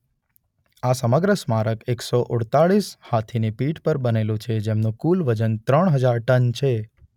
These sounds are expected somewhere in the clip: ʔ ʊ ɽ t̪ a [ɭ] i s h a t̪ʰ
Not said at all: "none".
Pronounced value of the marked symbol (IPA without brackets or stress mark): ɭ